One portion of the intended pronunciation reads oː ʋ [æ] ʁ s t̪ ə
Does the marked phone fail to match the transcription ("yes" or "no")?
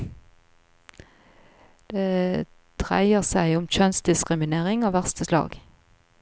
no